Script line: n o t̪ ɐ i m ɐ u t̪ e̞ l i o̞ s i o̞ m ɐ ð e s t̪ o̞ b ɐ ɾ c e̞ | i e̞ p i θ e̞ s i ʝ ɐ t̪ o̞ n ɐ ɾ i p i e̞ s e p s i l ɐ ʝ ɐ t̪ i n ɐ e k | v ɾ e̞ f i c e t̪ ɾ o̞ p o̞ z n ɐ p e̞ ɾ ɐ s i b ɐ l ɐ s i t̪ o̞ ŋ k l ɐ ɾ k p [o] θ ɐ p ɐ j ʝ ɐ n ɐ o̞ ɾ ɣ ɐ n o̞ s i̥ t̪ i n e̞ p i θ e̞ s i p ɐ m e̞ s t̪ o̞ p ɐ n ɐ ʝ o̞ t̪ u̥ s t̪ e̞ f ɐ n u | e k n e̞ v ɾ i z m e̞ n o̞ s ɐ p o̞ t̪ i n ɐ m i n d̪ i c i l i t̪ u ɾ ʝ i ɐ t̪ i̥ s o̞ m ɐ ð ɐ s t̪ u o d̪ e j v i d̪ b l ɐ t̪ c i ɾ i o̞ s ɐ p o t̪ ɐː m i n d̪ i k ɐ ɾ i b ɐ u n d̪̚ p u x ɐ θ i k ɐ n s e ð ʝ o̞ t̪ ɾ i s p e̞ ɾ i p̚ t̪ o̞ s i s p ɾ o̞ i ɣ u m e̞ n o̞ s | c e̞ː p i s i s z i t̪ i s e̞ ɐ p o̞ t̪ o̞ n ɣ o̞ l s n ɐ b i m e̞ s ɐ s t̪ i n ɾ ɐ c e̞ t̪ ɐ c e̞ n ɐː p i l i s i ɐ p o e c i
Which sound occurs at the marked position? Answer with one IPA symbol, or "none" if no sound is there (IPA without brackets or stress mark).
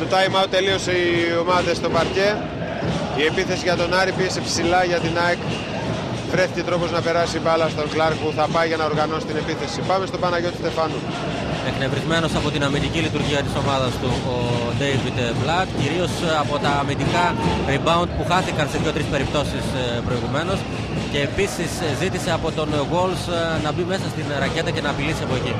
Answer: u